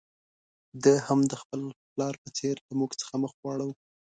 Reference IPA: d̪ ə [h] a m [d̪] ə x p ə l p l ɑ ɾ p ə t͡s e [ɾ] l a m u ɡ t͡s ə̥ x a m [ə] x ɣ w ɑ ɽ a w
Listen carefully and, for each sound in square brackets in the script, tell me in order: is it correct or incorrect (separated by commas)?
correct, correct, correct, correct